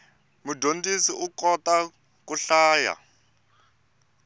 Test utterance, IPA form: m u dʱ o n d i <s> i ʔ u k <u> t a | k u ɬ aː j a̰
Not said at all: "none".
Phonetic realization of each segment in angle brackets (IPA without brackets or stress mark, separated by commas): s, ɔ